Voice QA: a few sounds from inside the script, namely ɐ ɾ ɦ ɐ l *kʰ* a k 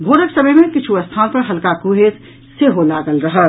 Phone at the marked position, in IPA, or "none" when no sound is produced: k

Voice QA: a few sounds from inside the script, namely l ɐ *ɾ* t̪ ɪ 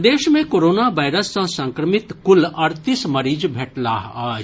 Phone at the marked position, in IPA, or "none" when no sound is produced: ɾ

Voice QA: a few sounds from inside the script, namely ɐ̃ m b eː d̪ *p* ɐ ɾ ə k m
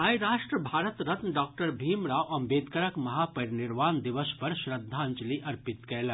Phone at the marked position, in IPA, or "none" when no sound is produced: k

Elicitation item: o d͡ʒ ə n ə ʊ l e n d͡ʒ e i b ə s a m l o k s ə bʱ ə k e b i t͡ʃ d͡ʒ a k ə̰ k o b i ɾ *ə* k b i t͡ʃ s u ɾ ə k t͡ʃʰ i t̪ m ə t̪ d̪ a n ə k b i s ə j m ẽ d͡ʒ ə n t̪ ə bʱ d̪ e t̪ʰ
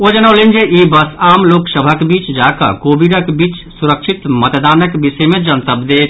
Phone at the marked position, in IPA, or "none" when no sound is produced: ə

